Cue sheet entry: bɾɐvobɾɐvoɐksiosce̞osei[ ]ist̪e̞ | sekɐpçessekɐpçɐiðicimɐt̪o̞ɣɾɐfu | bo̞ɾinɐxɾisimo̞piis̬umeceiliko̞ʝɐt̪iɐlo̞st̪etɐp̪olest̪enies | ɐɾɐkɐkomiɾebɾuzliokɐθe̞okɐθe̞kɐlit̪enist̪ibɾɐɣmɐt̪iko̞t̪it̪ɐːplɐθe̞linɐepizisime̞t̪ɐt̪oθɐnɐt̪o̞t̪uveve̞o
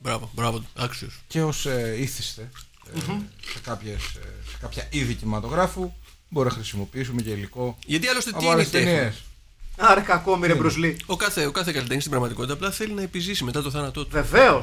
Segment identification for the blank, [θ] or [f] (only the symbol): θ